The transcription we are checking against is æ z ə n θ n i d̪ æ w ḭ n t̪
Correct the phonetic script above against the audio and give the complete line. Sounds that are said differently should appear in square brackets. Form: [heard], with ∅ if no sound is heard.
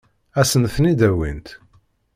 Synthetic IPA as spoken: æ [s] ə n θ n i d̪ æ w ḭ n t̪